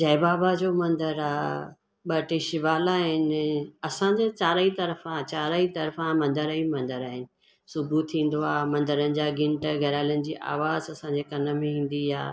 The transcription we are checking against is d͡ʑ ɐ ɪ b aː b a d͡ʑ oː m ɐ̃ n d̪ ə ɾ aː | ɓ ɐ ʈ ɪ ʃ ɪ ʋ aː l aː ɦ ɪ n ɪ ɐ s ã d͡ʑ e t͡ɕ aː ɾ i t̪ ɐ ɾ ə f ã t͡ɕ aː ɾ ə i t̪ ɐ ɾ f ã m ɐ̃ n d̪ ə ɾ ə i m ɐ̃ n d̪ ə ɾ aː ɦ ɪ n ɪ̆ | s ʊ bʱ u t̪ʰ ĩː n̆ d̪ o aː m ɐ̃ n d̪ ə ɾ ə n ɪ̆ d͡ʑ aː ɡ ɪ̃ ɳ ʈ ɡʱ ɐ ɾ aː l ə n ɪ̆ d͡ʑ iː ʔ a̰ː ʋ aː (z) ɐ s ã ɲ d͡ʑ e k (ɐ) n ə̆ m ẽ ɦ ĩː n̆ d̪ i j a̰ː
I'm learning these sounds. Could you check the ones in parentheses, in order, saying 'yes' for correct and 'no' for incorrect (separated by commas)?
yes, yes